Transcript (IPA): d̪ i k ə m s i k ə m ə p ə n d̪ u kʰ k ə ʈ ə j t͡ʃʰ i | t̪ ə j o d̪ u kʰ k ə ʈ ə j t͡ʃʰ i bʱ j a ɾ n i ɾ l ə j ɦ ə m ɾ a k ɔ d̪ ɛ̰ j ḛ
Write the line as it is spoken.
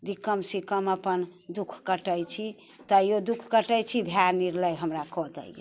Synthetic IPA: d̪ i k ə m s i k ə m ə p ə n d̪ u kʰ k ə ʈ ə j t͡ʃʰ i | t̪ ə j o d̪ u kʰ k ə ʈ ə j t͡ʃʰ i bʱ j a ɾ n i ɾ l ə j ɦ ə m ɾ a k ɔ d̪ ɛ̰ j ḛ

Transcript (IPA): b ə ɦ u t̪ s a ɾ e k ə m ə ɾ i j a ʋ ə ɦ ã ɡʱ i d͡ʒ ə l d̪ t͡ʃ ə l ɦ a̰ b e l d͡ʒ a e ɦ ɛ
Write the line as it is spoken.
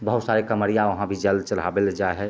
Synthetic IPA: b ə ɦ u t̪ s a ɾ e k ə m ə ɾ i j a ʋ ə ɦ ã bʱ i d͡ʒ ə l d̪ t͡ʃ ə l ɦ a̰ b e l d͡ʒ a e ɦ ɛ

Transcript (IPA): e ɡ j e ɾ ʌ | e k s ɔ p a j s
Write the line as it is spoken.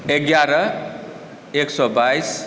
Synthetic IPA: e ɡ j a ɾ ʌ | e k s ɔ b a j s

